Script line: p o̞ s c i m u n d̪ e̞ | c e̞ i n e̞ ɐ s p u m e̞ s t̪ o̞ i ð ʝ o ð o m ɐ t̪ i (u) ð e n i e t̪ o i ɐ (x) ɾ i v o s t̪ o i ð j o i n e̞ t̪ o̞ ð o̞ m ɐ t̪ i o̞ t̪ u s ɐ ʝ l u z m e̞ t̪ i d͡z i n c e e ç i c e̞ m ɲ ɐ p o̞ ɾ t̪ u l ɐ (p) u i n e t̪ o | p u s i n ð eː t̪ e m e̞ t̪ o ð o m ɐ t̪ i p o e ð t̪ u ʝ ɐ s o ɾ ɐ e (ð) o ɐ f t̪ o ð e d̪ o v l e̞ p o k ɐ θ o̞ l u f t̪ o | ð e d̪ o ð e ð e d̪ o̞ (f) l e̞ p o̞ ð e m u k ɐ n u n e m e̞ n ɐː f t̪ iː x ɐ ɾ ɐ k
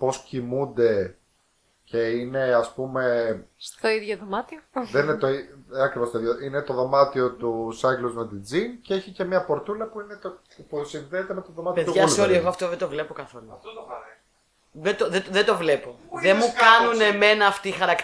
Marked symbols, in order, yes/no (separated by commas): no, no, yes, no, no